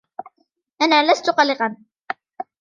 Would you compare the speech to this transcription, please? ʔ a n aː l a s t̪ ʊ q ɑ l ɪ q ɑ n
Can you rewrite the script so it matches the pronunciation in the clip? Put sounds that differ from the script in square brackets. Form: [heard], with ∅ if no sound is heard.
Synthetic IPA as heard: ʔ a n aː l a s t̪ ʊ q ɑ l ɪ q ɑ n